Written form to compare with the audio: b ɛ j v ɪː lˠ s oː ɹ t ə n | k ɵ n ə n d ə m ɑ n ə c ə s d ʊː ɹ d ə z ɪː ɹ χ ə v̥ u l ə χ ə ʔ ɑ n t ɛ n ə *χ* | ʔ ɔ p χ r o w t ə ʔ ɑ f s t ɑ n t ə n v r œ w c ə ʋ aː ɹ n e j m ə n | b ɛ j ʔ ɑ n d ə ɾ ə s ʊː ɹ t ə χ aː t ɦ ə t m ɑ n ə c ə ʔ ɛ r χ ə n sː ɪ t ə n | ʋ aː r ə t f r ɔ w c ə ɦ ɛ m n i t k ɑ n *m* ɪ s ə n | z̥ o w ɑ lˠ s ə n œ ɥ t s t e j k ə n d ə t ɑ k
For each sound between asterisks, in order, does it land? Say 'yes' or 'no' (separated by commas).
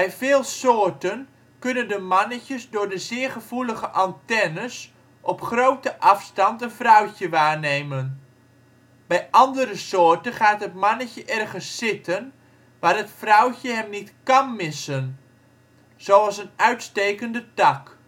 no, yes